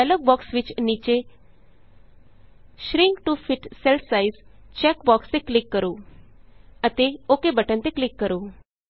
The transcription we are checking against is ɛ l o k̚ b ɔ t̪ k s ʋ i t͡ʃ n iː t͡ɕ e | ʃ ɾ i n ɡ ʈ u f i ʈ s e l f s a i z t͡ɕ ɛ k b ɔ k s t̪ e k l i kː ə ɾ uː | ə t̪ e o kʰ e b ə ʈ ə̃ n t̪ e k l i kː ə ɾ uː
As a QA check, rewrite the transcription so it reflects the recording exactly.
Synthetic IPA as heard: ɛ l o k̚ b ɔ k s ʋ i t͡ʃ n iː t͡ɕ e | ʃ ɾ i ŋ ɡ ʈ u f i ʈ s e l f s a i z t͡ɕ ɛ k b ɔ k s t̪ e k l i kː ə ɾ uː | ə t̪ e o k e b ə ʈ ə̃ n t̪ e k l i kː ə ɾ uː